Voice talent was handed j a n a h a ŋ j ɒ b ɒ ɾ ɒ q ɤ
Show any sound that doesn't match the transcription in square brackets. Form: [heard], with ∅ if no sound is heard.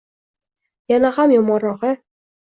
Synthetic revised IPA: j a n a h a [m] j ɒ [m] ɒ ɾ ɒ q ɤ